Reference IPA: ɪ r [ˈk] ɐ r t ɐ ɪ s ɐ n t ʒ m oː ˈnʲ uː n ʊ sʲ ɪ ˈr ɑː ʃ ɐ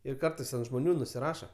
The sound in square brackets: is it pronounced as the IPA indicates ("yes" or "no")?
yes